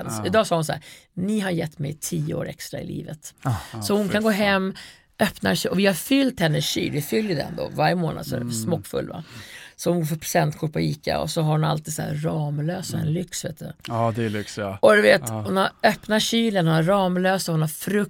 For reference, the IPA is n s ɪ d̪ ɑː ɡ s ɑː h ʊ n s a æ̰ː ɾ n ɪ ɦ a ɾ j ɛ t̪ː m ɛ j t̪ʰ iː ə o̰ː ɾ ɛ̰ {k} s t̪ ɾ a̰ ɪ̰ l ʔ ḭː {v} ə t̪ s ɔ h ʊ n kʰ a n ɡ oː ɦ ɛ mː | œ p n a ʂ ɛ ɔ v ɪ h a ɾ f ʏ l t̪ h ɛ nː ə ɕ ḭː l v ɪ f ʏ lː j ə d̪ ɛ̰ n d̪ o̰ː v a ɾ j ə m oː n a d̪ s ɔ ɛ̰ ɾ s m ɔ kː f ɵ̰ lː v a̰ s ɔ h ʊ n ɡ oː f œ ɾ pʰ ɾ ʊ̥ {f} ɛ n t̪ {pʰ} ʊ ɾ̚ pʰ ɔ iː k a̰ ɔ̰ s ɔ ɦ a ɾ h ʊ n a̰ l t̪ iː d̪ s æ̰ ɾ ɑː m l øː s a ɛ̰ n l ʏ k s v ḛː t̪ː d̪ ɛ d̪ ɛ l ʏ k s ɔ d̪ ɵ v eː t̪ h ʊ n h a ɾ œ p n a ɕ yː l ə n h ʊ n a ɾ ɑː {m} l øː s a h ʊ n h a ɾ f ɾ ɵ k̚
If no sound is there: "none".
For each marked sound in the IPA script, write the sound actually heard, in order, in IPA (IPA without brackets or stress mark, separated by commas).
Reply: k, v, s, kʰ, m